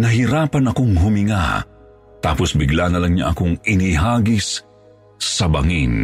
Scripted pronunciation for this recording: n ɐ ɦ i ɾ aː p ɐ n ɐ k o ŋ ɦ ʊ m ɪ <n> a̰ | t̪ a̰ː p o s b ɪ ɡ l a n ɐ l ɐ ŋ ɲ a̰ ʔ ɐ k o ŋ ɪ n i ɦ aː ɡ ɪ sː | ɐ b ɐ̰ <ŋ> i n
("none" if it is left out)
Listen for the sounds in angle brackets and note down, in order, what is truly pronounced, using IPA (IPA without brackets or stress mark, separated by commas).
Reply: ŋ, ŋ